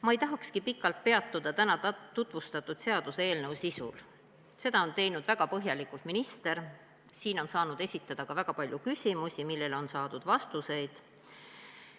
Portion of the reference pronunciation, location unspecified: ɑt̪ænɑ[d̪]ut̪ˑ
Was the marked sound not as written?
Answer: yes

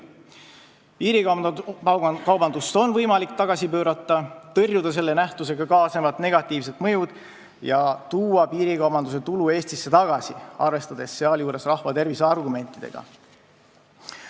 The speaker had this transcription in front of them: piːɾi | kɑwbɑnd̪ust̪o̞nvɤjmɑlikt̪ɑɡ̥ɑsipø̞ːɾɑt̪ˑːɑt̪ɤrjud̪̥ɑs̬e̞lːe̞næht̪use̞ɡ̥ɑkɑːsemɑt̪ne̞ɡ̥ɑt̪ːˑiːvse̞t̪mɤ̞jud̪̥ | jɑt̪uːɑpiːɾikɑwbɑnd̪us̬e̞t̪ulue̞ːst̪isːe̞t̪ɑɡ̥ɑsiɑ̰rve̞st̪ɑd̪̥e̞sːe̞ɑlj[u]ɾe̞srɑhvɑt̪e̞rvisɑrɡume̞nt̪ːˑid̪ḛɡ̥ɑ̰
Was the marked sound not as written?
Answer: yes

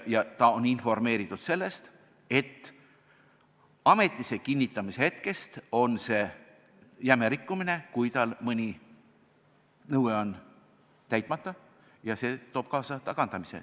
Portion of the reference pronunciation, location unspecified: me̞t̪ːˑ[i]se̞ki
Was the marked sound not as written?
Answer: no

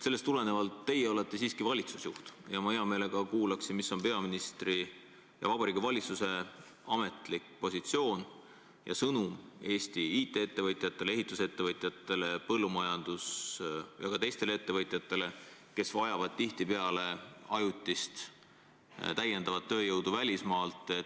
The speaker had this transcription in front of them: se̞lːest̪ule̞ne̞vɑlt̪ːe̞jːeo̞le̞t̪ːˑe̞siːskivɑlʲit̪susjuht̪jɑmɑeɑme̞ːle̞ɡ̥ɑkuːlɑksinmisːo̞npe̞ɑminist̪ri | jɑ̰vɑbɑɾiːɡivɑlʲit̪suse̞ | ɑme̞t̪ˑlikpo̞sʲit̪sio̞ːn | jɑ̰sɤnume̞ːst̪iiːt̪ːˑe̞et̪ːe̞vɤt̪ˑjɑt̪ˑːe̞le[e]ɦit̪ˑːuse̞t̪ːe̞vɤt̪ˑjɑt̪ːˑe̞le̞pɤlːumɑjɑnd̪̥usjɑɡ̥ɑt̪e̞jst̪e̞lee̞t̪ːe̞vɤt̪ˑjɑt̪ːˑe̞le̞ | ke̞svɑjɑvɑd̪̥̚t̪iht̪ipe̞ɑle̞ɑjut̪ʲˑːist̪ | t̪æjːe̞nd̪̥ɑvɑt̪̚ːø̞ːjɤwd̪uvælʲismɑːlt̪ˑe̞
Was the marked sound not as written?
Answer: no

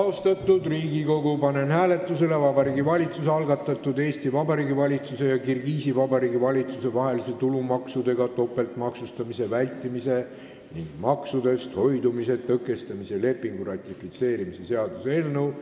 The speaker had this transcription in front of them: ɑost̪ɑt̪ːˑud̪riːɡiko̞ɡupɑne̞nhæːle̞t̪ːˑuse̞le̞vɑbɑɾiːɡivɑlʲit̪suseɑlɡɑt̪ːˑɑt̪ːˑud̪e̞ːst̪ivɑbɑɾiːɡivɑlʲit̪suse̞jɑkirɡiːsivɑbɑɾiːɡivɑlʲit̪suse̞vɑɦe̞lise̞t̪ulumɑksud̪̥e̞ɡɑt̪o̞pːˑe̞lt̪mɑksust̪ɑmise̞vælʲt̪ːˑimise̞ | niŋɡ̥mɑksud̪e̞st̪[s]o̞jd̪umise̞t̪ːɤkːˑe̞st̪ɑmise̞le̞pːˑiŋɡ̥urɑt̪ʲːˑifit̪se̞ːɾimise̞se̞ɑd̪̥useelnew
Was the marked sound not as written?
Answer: yes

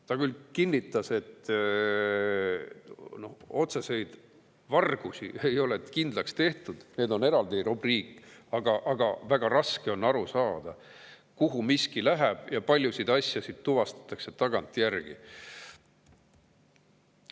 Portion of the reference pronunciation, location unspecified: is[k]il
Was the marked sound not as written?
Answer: no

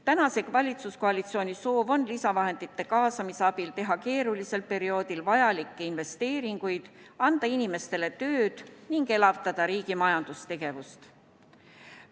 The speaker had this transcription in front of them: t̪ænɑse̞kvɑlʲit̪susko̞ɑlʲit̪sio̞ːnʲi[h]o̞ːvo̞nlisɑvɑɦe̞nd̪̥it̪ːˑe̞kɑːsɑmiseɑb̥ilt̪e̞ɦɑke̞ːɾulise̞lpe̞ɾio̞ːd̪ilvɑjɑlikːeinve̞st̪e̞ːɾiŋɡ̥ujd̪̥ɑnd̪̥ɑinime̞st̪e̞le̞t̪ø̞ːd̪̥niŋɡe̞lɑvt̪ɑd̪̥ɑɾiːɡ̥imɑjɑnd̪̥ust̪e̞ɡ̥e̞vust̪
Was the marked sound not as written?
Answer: yes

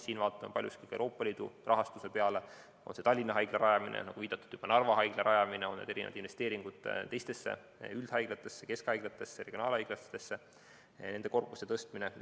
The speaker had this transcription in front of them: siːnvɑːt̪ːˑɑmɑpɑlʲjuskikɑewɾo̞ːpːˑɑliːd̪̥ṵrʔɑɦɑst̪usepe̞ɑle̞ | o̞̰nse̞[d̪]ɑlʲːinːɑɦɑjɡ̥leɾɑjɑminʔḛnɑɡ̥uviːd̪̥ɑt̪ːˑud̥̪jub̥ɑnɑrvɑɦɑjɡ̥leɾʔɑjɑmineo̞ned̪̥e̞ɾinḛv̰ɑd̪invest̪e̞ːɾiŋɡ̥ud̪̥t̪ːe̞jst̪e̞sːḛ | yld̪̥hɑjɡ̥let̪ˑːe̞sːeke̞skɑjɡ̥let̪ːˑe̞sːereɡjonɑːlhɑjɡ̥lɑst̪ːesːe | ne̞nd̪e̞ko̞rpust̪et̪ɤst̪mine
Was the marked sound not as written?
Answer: yes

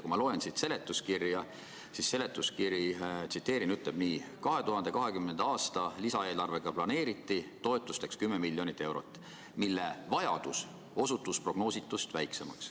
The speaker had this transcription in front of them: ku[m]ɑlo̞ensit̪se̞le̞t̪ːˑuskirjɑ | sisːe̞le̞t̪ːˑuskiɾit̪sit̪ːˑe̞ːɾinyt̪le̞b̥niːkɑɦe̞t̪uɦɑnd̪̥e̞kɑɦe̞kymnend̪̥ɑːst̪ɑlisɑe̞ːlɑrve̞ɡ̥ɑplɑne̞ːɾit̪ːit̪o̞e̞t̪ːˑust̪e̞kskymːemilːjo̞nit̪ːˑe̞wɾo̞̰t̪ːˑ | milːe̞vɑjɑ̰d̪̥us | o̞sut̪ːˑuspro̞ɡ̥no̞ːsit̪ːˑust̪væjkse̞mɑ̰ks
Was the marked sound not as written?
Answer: no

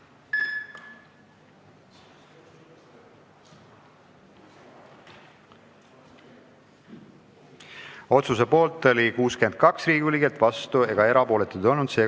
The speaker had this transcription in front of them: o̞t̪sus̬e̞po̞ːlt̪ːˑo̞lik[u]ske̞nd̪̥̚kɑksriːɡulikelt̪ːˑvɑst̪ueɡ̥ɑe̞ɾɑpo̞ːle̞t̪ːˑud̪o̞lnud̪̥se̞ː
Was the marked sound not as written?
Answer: yes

